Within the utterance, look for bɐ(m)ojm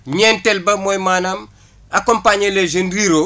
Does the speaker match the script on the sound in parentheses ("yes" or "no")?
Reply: yes